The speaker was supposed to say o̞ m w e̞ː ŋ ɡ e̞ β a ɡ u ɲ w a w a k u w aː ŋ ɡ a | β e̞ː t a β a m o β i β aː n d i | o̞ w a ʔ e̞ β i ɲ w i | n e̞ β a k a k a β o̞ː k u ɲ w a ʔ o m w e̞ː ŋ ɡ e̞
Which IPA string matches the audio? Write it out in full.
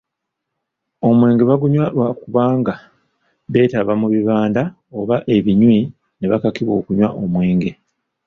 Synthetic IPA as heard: o̞ m w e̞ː ŋ ɡ e̞ β a ɡ u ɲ w a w a k u β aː ŋ ɡ a | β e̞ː t a β a m u β i β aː n d a | o̞ β a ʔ e̞ β i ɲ w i | n e̞ β a k a k i β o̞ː k u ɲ w a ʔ o m w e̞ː ŋ ɡ e̞